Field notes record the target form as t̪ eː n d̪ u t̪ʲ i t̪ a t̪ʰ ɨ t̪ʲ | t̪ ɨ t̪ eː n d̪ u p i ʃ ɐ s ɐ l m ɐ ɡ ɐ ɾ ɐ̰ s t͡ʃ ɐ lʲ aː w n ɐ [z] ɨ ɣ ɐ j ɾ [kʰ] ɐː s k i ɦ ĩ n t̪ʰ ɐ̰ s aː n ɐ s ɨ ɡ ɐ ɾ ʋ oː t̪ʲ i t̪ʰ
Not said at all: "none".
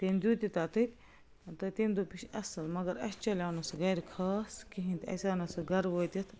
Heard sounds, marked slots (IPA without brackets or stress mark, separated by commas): s, kʰ